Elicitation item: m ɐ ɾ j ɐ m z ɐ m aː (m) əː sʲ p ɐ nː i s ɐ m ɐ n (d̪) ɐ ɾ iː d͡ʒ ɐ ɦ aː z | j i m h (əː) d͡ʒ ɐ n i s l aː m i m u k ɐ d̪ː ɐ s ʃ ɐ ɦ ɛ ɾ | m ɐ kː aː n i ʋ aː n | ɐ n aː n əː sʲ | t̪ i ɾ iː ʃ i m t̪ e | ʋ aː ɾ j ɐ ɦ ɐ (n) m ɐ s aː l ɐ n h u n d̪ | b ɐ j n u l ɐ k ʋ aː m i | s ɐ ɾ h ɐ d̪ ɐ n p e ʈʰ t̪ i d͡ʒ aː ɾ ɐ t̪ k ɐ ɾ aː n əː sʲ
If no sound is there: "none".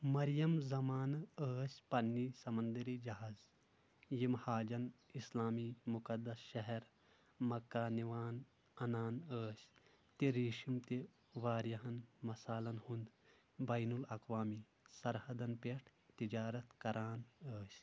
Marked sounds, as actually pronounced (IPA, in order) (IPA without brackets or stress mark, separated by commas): n, d̪, aː, n